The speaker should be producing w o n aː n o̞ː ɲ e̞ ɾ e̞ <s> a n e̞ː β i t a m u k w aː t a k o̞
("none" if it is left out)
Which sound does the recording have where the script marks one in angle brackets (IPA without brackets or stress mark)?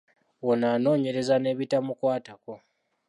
z